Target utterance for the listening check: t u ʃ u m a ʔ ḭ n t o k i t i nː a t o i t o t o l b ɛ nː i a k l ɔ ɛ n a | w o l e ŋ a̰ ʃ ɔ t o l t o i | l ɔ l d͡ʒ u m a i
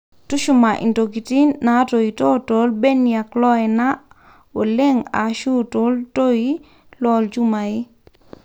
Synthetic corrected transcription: t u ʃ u m a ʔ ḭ n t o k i t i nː a t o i t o t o l b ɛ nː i a k l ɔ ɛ n a | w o l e ŋ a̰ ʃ u t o l t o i | l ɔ l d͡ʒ u m a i